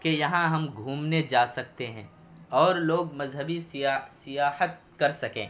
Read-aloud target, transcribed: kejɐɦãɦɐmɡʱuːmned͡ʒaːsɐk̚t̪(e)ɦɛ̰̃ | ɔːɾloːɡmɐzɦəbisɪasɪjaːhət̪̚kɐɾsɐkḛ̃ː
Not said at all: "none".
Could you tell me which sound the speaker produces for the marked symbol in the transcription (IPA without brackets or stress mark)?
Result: e